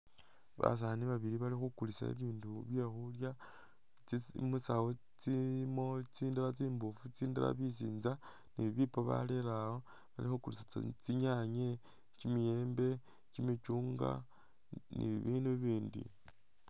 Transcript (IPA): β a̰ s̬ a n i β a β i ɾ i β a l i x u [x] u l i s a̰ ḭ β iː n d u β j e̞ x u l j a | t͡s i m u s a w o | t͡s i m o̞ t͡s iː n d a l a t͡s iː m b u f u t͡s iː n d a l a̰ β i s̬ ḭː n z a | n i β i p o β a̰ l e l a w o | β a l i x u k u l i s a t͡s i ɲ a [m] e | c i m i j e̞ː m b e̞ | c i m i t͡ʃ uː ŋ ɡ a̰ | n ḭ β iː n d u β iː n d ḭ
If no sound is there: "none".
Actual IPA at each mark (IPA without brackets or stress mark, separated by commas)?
k, ɲ